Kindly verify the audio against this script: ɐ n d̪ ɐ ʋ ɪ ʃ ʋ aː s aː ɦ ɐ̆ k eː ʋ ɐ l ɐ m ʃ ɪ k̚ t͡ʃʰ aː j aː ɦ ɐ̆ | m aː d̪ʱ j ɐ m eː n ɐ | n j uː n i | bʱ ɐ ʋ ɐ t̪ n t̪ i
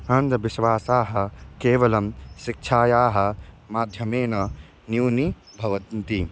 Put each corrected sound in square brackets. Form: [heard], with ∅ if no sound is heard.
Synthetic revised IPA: ɐ n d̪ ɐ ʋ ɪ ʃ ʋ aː s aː ɦ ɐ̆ k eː ʋ ɐ l ɐ m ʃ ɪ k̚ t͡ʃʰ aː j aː ɦ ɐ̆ | m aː d̪ʱ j ɐ m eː n ɐ | n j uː n i | bʱ ɐ ʋ ɐ t̪ n t̪ i